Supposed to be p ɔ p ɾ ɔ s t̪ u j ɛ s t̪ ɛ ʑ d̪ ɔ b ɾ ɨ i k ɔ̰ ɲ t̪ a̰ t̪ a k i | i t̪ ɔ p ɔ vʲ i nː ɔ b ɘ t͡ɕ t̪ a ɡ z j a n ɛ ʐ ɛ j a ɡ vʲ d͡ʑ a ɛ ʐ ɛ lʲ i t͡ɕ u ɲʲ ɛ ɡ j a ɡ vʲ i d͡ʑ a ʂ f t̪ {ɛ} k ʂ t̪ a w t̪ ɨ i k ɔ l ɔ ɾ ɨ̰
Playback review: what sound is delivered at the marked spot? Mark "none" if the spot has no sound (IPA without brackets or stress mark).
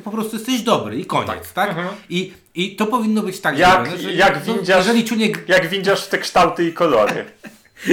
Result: ɛ